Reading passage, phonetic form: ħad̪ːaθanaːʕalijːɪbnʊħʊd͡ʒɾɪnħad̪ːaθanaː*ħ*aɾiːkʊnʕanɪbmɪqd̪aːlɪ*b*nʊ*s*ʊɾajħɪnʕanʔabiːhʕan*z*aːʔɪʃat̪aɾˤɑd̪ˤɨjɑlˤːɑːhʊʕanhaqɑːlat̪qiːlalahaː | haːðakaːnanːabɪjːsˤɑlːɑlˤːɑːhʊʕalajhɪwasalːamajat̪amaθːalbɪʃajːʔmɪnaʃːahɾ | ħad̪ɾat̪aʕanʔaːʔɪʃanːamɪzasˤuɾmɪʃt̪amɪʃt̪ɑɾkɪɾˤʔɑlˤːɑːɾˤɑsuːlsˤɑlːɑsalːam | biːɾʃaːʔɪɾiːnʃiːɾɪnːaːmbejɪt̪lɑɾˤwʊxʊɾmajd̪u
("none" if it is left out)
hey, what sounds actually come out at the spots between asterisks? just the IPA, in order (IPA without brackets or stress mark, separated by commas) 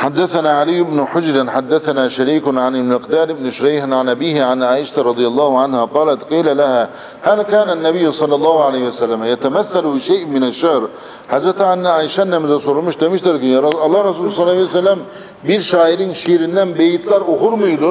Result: ʃ, b, ʃ, ʕ